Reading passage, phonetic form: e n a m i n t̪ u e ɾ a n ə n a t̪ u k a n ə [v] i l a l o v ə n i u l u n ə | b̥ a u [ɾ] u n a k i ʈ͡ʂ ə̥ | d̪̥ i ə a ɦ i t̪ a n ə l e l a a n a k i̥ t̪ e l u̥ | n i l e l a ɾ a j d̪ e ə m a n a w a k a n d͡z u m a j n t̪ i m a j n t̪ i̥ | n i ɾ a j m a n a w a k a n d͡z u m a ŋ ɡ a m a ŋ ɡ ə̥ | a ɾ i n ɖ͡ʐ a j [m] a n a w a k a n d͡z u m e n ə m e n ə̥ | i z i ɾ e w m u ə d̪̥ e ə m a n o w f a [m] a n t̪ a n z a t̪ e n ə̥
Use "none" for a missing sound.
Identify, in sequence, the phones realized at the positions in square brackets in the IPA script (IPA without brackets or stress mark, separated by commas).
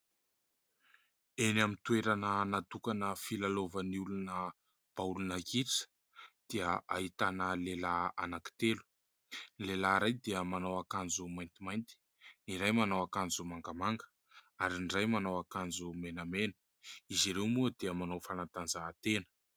f, l, m, n